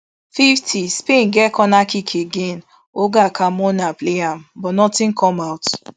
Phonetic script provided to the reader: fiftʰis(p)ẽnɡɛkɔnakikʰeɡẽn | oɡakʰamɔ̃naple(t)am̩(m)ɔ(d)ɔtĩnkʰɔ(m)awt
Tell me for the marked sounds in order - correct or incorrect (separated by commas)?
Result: correct, incorrect, incorrect, incorrect, correct